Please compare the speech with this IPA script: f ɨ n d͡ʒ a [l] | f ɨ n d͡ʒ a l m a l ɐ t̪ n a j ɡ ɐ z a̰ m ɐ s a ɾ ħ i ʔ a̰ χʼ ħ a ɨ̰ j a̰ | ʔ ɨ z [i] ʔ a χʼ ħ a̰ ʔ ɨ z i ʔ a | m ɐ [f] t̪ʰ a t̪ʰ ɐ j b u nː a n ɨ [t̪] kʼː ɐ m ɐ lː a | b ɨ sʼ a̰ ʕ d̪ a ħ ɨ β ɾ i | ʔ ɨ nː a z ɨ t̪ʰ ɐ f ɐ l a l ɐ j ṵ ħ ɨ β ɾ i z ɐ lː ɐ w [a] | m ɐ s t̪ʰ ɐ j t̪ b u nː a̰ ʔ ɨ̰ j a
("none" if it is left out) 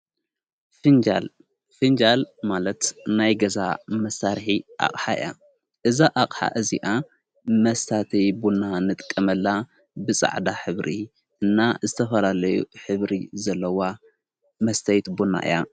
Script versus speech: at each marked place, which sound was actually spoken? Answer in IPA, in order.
l, a, s, t̪ʼ, a

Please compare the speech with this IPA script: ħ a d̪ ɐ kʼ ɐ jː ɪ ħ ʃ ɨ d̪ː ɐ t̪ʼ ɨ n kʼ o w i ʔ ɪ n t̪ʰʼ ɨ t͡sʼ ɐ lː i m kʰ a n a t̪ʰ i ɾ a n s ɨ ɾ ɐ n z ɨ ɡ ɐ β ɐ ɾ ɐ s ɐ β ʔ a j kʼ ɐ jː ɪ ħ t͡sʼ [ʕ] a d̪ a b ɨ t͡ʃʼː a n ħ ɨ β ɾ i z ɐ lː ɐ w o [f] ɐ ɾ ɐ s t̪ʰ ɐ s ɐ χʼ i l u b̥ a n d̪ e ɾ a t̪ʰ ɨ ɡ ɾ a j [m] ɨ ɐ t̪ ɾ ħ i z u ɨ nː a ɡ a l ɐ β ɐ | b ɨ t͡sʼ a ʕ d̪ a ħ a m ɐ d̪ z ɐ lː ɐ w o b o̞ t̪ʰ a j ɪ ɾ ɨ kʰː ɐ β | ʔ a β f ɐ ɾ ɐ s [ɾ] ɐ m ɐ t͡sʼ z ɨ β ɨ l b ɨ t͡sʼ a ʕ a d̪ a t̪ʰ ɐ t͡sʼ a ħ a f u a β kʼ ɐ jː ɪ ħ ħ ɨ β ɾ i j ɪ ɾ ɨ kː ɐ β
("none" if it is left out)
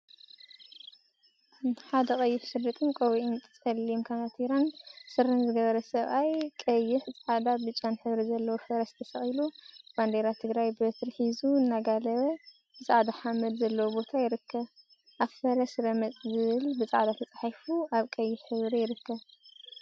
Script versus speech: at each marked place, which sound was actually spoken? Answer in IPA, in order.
ʕ, f, b, ɾ

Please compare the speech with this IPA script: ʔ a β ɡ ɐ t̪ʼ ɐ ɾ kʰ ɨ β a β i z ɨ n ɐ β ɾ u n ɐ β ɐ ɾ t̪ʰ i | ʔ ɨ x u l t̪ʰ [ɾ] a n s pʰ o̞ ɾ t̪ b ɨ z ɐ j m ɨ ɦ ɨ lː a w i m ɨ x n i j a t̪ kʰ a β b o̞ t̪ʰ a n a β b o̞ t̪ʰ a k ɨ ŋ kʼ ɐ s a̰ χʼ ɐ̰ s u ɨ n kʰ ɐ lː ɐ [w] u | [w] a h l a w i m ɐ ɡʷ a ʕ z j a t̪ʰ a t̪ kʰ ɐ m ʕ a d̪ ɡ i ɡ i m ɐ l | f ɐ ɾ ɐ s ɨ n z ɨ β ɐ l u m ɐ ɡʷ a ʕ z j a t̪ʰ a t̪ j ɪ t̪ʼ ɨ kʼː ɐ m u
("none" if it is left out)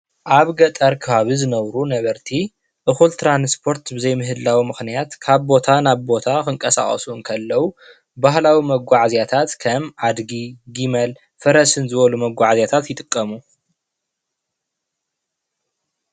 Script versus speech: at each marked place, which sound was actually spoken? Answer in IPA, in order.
ɾ, w, b

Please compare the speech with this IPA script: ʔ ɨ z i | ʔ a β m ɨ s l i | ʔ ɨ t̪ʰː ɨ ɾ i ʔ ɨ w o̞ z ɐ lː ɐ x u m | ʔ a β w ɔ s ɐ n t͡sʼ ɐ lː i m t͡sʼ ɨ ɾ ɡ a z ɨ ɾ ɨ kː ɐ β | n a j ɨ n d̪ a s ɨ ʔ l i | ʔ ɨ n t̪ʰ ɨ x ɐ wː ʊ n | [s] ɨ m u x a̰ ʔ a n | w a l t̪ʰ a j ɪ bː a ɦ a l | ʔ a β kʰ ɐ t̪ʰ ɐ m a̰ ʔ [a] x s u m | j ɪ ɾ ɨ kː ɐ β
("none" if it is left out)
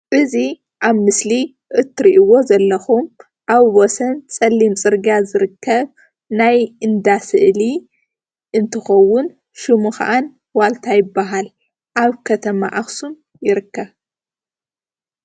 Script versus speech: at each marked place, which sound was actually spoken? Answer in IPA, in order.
ʃ, a

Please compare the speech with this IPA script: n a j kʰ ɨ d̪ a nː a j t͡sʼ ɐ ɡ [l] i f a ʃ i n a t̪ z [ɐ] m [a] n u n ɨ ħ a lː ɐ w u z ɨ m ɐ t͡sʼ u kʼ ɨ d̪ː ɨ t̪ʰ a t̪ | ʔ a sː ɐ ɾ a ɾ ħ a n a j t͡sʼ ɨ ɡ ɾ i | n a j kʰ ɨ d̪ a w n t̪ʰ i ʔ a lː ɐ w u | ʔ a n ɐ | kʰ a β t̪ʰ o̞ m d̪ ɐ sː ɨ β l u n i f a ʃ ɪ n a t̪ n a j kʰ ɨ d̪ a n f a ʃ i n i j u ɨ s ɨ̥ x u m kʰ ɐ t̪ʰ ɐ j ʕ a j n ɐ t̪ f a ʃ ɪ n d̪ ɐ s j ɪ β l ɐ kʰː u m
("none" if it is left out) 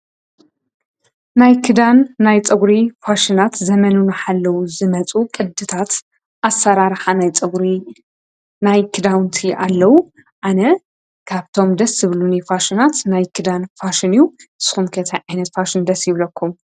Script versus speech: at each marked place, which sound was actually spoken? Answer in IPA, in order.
ɾ, ɐ, ɐ

